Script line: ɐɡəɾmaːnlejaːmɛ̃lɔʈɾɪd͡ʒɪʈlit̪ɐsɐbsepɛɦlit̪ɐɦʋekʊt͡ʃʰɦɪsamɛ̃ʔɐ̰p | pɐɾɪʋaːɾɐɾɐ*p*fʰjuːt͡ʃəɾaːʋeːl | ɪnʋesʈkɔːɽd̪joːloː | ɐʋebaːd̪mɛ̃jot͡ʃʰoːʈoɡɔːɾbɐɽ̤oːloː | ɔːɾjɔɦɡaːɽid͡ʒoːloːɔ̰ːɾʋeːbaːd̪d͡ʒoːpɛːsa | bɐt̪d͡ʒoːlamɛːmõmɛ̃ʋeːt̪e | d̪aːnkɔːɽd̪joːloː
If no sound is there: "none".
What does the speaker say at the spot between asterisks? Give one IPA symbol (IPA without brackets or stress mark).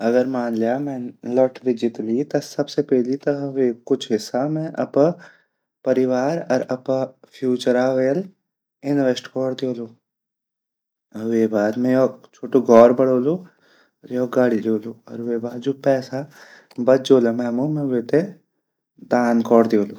p